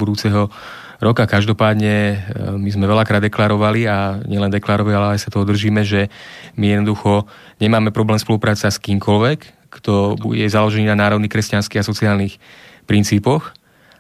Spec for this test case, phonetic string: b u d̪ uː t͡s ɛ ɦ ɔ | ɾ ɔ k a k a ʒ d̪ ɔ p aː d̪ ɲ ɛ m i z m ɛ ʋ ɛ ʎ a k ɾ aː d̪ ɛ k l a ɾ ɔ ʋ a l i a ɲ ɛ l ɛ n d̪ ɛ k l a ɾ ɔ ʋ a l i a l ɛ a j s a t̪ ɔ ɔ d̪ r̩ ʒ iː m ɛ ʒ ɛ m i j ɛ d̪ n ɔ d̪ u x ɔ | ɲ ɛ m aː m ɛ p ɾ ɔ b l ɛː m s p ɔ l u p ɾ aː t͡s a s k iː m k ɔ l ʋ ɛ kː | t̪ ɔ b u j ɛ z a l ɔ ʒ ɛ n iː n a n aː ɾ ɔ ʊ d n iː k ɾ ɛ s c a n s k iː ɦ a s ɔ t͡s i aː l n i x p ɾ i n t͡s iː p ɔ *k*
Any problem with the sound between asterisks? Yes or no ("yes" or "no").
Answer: yes